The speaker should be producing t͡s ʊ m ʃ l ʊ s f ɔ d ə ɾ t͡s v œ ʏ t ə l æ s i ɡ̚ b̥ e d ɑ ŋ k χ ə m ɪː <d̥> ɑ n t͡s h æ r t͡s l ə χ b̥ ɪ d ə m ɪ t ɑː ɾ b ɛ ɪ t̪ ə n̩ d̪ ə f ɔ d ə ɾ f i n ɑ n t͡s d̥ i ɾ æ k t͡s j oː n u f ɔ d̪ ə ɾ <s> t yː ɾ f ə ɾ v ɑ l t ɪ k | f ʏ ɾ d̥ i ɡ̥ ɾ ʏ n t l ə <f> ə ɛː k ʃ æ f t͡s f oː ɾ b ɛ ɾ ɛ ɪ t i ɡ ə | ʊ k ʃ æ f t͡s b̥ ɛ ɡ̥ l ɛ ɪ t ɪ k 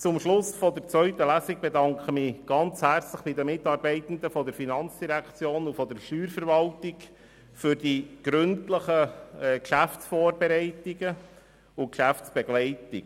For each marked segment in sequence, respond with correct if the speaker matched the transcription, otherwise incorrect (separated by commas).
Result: incorrect, incorrect, incorrect